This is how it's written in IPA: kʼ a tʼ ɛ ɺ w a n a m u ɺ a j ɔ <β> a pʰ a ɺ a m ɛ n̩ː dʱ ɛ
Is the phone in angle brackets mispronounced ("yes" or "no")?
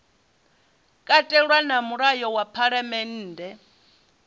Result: yes